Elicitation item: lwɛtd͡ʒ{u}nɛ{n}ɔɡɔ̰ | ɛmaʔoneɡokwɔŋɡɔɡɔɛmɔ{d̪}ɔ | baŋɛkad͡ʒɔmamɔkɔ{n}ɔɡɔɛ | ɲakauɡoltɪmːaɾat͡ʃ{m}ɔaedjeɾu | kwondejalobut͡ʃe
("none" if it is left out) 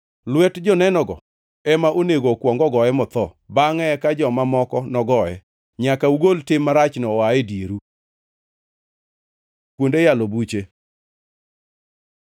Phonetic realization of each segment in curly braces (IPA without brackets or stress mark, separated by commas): ɔ, n, t̪, n, n